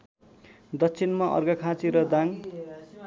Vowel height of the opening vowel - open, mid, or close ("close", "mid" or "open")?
mid